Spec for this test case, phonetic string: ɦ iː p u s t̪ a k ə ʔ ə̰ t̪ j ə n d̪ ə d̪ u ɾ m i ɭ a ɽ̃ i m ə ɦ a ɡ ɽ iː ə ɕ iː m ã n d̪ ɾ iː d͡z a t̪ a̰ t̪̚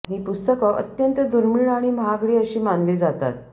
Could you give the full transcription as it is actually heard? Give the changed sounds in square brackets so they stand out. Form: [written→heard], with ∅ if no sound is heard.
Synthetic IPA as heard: ɦ iː p u s t̪ [a→ə] k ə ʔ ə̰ t̪ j ə n [d̪→t̪] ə d̪ u ɾ m i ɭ a ɽ̃ i m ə ɦ a ɡ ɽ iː ə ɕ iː m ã n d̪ [ɾ→l] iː d͡z a t̪ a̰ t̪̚